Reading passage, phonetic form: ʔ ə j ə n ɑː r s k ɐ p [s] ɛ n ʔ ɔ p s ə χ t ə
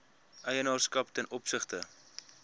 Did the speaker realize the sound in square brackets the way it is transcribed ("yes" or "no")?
no